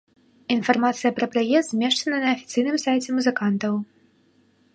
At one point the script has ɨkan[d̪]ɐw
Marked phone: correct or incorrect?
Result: incorrect